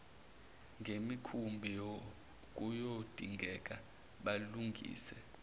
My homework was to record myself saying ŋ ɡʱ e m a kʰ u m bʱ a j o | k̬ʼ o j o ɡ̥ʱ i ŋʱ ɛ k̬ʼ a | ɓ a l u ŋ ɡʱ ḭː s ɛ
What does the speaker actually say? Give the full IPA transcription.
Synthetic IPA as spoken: ŋ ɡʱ e m i kʰ u m bʱ i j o | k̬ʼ u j o d̥ʱ i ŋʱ ɛ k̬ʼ a | ɓ a l u ŋ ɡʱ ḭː s ɛ